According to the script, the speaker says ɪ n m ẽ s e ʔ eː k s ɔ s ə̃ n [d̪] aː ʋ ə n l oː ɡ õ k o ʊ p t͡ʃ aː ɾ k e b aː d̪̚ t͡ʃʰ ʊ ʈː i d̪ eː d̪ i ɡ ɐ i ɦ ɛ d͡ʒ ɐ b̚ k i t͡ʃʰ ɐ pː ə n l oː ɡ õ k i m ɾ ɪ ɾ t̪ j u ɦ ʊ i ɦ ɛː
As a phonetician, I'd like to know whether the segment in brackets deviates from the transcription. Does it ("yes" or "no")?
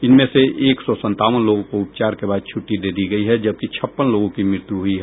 yes